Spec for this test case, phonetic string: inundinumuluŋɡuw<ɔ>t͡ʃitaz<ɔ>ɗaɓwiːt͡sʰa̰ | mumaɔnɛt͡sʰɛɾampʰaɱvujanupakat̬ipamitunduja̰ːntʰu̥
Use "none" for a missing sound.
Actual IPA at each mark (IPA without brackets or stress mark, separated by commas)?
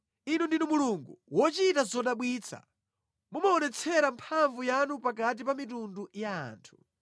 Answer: ɔ, ɔ